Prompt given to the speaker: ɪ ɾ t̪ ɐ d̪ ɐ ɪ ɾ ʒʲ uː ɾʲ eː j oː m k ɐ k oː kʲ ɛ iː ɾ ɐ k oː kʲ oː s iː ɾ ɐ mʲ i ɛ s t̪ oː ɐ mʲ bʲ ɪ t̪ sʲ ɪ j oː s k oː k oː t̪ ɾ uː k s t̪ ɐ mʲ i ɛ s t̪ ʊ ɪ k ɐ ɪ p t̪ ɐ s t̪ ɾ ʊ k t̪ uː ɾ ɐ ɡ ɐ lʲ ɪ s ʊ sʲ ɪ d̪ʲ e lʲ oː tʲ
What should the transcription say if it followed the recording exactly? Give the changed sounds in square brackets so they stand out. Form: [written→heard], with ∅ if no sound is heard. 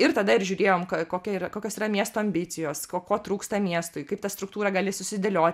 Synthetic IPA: ɪ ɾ t̪ ɐ d̪ ɐ ɪ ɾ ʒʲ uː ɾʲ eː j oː m k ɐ k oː kʲ ɛ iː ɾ ɐ k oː kʲ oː s iː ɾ ɐ mʲ i ɛ s t̪ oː ɐ mʲ bʲ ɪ t̪ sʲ ɪ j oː s k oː k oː t̪ ɾ uː k s t̪ ɐ mʲ i ɛ s t̪ ʊ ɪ k ɐ ɪ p t̪ ɐ s t̪ ɾ ʊ k t̪ uː ɾ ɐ ɡ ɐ lʲ ɪ s ʊ sʲ ɪ d̪ʲ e lʲ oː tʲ

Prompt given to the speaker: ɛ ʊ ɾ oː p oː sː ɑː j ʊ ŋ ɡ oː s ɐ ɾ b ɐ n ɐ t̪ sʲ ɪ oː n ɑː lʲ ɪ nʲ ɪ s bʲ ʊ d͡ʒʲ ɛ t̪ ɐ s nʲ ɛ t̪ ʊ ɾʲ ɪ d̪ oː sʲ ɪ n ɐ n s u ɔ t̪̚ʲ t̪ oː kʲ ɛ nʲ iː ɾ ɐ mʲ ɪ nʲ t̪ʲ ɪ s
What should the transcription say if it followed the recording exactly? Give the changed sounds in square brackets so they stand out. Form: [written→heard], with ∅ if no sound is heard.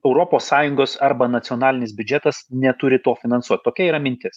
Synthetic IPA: ɛ ʊ ɾ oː p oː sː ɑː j ʊ ŋ ɡ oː s ɐ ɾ b ɐ n ɐ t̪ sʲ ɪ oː n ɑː lʲ ɪ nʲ ɪ s bʲ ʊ d͡ʒʲ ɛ t̪ ɐ s nʲ ɛ t̪ ʊ ɾʲ ɪ [d̪→t̪] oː [sʲ→fʲ] ɪ n ɐ n s u ɔ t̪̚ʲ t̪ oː kʲ ɛ [nʲ→∅] iː ɾ ɐ mʲ ɪ nʲ t̪ʲ ɪ s

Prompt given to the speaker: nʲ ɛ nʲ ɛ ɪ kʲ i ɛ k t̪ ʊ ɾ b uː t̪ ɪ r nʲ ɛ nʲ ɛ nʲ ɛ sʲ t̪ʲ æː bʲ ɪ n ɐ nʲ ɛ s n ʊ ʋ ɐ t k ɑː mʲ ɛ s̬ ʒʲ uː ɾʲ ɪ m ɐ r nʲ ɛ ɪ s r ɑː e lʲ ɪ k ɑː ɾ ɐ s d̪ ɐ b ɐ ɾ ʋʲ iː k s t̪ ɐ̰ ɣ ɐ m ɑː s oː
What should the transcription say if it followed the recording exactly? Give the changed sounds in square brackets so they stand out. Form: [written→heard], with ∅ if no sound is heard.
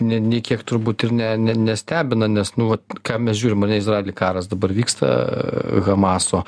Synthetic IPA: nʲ ɛ nʲ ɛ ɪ kʲ i ɛ k t̪ ʊ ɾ b uː t̪ ɪ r nʲ ɛ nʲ ɛ nʲ ɛ sʲ t̪ʲ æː bʲ ɪ n ɐ nʲ ɛ s n ʊ ʋ ɐ t k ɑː mʲ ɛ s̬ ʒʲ uː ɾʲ ɪ m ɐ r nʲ ɛ ɪ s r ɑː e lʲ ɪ k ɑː ɾ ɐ s d̪ ɐ b ɐ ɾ ʋʲ iː k s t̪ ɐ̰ ɣ ɐ m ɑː s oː

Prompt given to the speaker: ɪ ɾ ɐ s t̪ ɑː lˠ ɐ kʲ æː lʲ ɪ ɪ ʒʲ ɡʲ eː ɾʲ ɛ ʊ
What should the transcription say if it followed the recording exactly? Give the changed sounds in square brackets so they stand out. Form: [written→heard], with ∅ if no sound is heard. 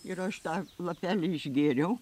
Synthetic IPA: ɪ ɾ ɐ [s→ʃ] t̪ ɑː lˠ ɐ [kʲ→pʲ] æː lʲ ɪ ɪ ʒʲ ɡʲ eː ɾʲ ɛ ʊ

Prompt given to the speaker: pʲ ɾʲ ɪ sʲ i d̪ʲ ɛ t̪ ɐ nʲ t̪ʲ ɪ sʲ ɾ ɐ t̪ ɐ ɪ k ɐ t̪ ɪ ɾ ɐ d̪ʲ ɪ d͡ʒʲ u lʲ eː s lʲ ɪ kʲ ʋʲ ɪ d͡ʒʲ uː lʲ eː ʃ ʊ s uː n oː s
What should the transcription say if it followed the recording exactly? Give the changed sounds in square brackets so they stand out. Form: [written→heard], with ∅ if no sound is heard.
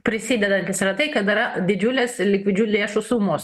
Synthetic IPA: pʲ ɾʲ ɪ sʲ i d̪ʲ ɛ [t̪→d̪] ɐ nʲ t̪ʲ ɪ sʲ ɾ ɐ t̪ ɐ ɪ k ɐ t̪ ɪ ɾ ɐ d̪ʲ ɪ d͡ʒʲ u lʲ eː s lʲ ɪ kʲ ʋʲ ɪ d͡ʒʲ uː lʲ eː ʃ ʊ s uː [n→m] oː s

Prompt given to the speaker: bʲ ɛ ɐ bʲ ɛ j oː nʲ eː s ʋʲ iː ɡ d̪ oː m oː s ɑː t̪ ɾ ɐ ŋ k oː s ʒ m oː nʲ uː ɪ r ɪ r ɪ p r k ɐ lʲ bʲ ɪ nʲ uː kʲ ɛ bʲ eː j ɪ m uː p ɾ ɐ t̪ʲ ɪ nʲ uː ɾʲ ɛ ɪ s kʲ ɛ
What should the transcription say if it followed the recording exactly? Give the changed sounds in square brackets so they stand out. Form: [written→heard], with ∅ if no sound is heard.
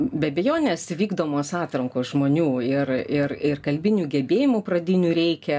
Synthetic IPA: bʲ ɛ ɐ bʲ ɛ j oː nʲ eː s ʋʲ iː ɡ d̪ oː m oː s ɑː t̪ ɾ ɐ ŋ k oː s ʒ m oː nʲ uː ɪ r ɪ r ɪ [p→∅] r k ɐ lʲ bʲ ɪ nʲ uː [kʲ→ɡʲ] ɛ bʲ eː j ɪ m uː p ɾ ɐ [t̪ʲ→d̪ʲ] ɪ nʲ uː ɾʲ ɛ ɪ [s→∅] kʲ ɛ

